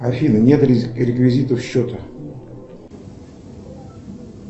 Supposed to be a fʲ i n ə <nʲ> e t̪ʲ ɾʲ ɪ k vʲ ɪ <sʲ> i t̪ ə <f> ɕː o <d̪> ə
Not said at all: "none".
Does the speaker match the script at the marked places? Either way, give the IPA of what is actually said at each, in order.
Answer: nʲ, zʲ, f, t̪

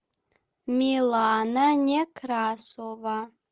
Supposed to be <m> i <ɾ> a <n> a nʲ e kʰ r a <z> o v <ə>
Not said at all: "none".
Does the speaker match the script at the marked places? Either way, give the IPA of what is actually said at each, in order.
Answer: m, l, n, s, a

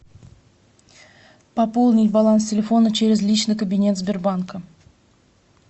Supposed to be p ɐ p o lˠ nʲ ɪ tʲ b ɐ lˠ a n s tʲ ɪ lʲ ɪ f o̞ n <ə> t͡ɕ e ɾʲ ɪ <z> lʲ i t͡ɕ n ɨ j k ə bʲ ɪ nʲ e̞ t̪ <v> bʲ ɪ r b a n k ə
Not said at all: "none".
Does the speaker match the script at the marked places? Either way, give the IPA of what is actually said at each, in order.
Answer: ə, z, z

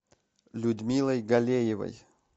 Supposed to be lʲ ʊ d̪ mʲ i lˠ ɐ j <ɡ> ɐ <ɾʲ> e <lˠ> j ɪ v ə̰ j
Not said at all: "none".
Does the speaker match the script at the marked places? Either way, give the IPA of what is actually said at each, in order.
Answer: ɡ, lʲ, none

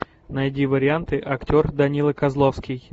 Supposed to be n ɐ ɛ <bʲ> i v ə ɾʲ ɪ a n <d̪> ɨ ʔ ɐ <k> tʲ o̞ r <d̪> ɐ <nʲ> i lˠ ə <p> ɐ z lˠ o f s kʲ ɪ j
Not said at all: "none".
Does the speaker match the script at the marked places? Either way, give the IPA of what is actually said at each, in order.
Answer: dʲ, t̪, k, d̪, nʲ, k

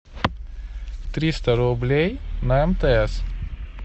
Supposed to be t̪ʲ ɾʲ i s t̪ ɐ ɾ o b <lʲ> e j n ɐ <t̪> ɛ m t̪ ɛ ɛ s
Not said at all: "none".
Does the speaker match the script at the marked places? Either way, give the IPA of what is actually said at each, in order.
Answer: lʲ, none

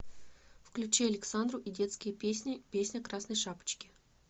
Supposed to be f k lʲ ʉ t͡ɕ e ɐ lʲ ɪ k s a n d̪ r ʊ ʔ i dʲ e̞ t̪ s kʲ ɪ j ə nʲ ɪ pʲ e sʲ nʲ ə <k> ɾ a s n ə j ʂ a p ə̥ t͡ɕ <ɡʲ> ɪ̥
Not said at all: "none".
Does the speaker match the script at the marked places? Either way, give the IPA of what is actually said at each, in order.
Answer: k, kʲ

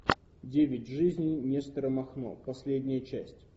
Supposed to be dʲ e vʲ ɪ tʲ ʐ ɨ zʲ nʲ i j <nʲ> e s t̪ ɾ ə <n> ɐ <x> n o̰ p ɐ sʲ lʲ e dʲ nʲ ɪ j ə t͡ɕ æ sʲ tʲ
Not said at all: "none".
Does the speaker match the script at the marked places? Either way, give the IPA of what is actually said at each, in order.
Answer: nʲ, m, x

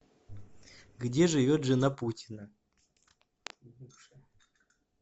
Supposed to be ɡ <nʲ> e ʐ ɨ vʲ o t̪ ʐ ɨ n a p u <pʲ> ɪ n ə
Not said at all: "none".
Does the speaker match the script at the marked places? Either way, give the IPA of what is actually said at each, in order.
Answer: dʲ, tʲ

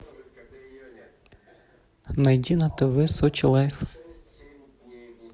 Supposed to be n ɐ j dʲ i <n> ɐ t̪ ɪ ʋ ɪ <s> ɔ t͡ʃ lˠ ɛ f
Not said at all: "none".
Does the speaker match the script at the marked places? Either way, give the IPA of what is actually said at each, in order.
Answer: n, s

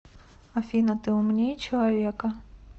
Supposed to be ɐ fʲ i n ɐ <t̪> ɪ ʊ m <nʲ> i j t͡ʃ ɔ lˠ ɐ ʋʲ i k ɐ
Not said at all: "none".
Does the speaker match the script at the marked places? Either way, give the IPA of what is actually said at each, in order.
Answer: t̪, nʲ

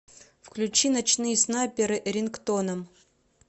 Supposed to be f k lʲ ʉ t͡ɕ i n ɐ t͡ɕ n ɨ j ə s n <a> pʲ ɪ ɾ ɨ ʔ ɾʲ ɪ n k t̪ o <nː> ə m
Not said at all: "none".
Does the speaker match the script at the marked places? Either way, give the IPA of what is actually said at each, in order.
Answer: a, n

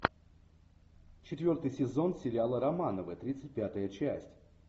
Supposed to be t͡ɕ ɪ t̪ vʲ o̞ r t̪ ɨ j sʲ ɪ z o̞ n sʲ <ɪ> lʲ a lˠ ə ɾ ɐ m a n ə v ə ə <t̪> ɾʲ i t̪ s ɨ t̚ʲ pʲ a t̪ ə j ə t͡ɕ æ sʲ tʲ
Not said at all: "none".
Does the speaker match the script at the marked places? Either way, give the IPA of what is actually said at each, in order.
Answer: ɪ, t̪

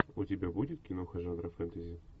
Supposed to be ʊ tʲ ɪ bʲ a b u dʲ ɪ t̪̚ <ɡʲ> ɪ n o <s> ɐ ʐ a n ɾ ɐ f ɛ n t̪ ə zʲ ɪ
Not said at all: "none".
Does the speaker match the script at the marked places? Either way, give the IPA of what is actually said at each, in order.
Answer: kʲ, x

